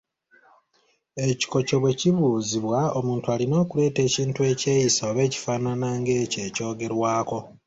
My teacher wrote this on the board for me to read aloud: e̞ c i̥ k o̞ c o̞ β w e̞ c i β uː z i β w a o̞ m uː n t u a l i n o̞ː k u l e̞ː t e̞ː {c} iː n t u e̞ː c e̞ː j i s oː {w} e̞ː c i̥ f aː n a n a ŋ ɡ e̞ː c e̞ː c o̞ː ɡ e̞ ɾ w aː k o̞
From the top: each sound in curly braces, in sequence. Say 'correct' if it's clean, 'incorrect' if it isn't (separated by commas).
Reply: correct, incorrect